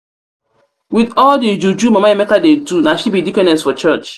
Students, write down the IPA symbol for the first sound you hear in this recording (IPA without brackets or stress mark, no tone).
w